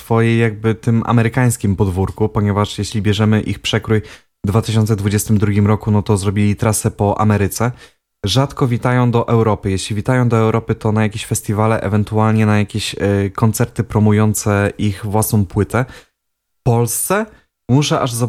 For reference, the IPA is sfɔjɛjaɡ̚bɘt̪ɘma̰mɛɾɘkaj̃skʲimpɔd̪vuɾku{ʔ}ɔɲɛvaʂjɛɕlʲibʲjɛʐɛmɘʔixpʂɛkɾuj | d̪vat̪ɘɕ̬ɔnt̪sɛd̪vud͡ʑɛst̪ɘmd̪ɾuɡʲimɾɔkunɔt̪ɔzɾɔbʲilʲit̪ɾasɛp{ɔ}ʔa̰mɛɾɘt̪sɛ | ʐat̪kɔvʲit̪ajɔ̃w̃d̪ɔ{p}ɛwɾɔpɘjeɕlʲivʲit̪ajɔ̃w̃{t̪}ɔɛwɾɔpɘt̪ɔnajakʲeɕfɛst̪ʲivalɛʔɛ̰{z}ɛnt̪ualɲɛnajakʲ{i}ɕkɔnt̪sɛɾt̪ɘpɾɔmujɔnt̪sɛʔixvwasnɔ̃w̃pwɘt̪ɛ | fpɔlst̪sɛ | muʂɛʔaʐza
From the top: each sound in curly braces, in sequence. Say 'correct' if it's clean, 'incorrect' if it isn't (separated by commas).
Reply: incorrect, correct, incorrect, incorrect, incorrect, incorrect